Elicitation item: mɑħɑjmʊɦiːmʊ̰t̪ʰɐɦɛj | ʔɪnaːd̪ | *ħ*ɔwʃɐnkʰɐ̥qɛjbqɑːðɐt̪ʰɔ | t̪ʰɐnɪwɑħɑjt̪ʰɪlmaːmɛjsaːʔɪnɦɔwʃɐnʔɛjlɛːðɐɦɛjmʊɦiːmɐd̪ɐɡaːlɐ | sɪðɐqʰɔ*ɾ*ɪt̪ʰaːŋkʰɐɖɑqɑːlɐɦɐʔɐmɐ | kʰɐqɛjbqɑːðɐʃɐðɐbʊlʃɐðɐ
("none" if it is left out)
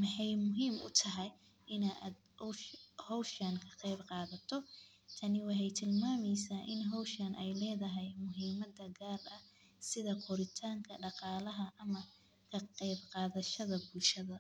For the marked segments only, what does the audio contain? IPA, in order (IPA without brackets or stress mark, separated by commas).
h, ɾ